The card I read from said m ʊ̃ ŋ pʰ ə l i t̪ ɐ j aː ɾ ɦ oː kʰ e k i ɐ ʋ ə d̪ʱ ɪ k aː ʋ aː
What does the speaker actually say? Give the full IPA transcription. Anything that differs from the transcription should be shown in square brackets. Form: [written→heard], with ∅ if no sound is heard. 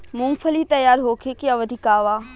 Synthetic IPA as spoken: m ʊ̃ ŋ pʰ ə l i t̪ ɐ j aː ɾ ɦ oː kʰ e k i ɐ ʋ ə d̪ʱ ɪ k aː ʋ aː